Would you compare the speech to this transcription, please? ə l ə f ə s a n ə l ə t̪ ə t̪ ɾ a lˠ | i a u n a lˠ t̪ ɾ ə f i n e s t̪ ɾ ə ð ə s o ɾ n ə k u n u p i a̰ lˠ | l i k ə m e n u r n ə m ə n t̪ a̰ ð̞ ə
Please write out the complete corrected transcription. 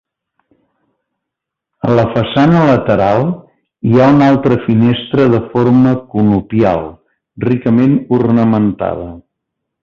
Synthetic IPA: ə l ə f ə s a n ə l ə t̪ ə ɾ a lˠ | i a u n a lˠ t̪ ɾ ə f i n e s t̪ ɾ ə ð ə f o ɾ m ə k u n u p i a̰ lˠ | r i k ə m e n u r n ə m ə n t̪ a̰ ð̞ ə